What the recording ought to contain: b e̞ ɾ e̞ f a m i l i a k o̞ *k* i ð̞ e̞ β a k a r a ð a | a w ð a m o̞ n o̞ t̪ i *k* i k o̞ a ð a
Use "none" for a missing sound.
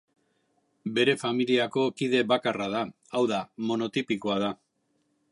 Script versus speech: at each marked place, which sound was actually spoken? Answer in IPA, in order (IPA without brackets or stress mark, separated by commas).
k, p